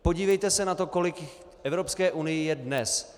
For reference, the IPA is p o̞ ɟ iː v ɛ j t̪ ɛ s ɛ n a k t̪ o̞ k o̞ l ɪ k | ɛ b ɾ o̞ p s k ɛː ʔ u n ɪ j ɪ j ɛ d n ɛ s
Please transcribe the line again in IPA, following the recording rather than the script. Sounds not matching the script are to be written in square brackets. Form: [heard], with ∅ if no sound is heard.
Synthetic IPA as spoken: p o̞ ɟ iː v ɛ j t̪ ɛ s ɛ n a [∅] t̪ o̞ k o̞ l ɪ k | ɛ [v] ɾ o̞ p s k ɛː ʔ u n ɪ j ɪ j ɛ d n ɛ s